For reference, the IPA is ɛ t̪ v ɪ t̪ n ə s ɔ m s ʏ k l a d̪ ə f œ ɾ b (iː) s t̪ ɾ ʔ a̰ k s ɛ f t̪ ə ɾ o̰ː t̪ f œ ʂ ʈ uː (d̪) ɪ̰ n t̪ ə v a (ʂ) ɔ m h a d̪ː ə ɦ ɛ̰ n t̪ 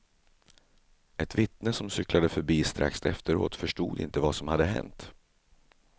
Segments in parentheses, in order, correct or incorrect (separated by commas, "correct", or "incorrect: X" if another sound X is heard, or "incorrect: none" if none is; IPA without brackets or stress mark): correct, correct, incorrect: s